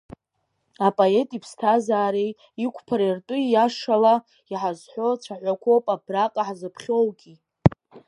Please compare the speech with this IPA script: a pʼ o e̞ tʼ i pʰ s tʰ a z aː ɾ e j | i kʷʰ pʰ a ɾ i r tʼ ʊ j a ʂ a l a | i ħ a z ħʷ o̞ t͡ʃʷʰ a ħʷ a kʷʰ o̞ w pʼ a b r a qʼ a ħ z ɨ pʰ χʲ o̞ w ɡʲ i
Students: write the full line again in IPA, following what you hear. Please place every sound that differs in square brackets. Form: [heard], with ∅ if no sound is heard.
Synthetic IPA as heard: a pʼ o e̞ tʼ i pʰ s tʰ a z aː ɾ e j | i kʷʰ pʰ a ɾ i r tʼ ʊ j a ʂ a l a | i ħ a z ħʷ o̞ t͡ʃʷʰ a ħʷ a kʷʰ o̞ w pʼ a b r a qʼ a ħ z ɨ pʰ χʲ o̞ w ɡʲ i